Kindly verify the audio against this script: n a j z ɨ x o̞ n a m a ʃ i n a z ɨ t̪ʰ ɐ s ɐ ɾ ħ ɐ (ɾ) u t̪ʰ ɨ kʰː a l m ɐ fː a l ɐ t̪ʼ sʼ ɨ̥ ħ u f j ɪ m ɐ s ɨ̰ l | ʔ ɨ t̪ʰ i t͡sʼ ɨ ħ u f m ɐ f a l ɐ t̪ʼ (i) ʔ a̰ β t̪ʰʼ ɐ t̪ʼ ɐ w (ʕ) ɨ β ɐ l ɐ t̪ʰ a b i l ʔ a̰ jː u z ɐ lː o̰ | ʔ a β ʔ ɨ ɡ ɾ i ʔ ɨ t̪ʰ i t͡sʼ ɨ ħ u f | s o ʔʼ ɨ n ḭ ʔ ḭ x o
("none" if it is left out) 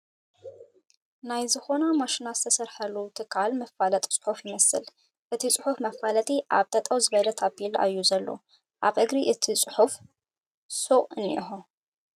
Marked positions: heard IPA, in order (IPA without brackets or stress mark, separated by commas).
l, i, z